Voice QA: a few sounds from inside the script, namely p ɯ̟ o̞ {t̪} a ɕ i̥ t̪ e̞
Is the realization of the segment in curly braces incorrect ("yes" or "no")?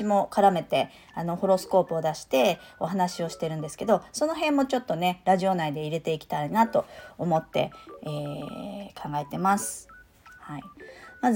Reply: yes